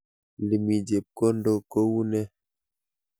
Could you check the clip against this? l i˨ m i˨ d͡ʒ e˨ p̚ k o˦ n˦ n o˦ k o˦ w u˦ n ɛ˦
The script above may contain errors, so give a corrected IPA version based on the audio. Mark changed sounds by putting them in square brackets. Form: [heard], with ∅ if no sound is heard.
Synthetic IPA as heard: l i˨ m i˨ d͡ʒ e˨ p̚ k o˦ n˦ [d] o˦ k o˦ w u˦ n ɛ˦